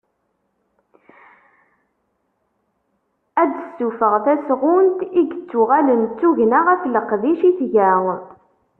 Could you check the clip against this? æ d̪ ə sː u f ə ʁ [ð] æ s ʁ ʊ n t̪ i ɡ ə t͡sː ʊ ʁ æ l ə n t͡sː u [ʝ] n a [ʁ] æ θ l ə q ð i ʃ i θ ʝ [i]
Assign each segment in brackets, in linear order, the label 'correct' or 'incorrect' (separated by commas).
incorrect, correct, correct, incorrect